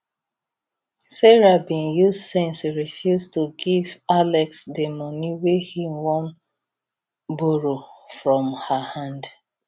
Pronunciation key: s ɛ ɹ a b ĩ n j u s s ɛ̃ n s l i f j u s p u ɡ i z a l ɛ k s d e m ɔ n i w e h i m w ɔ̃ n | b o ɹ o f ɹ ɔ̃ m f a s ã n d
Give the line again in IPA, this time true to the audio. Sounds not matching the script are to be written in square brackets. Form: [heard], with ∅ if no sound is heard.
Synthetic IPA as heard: s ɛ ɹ a b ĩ n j u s s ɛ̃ n s [ɹ] i f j u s [t] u ɡ i [v] a l ɛ k s d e m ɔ n i w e h i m w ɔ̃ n | b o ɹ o f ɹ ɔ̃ m [h] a [h] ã n d